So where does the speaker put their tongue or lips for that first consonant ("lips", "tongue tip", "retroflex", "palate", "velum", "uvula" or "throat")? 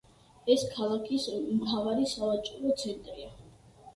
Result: tongue tip